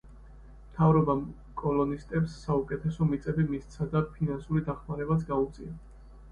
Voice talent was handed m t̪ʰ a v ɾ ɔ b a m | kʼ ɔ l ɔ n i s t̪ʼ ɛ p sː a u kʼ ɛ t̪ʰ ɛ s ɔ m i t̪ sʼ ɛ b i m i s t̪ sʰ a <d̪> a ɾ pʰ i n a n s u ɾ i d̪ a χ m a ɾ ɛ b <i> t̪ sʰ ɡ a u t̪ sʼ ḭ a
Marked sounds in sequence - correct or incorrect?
correct, incorrect

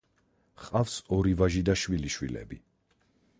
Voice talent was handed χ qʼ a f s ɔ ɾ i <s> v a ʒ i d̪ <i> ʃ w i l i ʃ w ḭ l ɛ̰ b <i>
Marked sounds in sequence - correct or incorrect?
incorrect, incorrect, correct

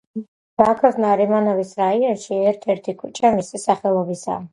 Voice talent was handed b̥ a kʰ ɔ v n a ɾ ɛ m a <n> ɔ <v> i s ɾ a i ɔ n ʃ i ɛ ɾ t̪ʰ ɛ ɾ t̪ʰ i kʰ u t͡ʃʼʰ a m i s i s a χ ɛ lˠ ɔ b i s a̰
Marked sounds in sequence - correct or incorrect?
correct, correct

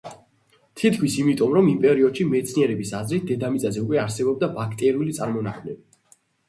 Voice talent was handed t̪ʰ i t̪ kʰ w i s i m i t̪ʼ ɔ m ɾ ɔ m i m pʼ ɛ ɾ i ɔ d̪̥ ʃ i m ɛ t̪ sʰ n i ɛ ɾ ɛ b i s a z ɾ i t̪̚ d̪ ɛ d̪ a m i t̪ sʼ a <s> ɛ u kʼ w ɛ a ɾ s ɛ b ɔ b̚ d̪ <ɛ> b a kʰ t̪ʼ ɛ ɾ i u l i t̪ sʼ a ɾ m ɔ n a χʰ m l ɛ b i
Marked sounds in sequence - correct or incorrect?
incorrect, incorrect

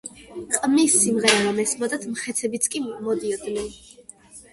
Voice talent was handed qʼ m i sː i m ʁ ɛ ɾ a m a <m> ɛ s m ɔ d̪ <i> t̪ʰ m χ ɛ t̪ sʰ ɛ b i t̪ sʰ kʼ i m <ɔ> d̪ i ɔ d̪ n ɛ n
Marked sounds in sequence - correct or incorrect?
correct, incorrect, correct

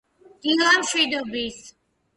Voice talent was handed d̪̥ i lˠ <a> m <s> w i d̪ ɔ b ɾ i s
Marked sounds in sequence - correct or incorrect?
correct, incorrect

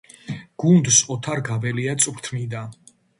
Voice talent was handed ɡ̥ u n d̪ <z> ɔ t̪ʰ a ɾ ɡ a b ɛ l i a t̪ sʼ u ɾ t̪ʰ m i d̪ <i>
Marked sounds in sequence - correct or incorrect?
incorrect, incorrect

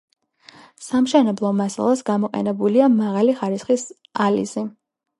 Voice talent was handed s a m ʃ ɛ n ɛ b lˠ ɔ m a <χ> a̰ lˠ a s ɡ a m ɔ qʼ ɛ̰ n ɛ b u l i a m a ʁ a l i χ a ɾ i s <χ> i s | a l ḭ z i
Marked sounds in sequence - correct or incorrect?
incorrect, correct

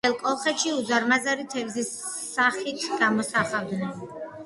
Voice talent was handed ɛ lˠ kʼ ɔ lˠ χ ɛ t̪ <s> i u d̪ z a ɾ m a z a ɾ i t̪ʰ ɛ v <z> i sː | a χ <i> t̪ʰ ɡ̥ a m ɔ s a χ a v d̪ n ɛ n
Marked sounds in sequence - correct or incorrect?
incorrect, correct, correct

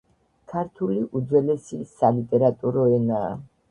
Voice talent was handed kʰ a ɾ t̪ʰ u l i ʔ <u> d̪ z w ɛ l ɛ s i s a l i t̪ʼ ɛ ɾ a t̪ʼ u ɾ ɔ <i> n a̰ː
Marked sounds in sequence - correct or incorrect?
correct, incorrect

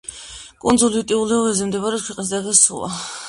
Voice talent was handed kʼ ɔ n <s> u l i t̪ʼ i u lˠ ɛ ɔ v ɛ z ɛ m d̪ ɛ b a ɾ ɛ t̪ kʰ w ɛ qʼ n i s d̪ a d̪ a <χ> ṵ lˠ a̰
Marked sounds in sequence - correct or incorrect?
incorrect, incorrect

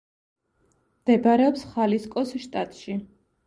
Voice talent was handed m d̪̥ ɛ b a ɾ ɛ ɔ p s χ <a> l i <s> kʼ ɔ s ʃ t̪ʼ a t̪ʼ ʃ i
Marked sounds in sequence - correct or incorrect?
correct, correct

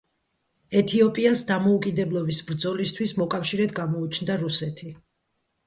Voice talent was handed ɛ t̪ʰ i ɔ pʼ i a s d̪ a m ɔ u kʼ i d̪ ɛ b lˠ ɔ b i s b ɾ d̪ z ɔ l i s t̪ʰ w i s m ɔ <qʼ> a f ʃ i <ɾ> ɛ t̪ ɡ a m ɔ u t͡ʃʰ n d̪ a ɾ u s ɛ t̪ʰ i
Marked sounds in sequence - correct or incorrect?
incorrect, correct

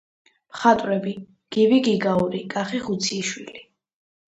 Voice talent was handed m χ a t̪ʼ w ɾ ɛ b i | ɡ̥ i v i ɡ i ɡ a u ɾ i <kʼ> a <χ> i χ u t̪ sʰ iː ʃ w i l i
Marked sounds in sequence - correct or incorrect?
correct, correct

